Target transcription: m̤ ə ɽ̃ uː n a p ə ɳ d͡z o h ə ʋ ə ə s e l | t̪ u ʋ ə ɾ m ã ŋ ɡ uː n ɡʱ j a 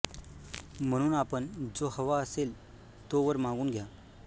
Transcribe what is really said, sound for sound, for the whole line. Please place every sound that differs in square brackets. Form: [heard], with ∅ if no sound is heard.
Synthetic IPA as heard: m̤ ə ɽ̃ uː n a p ə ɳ d͡z o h ə ʋ [a] ə s e l | t̪ [o] ʋ ə ɾ m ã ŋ ɡ uː n ɡʱ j a